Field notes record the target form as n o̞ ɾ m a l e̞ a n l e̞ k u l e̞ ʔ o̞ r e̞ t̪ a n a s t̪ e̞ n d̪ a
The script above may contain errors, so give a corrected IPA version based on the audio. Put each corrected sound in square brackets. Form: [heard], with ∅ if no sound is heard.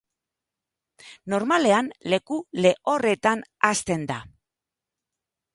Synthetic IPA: n o̞ ɾ m a l e̞ a n l e̞ k u l e̞ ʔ o̞ r e̞ t̪ a n a s t̪ e̞ n d̪ a